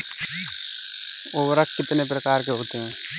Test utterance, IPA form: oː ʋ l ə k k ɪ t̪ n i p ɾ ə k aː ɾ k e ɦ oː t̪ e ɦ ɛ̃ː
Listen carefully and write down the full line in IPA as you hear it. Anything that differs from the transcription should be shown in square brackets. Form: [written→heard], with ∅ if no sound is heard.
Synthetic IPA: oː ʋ [l→ɾ] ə k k ɪ t̪ n [i→e] p ɾ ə k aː ɾ k e ɦ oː t̪ e ɦ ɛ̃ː